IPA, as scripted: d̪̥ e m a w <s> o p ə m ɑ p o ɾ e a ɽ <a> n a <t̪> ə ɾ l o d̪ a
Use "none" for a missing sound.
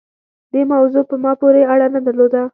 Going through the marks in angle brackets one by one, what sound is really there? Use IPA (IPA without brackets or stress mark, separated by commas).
z, a, d̪